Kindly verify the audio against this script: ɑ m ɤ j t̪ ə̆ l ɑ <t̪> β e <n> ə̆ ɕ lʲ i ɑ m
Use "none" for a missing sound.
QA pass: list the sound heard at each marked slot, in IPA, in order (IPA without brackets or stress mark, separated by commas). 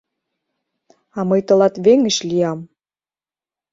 t̪, ŋ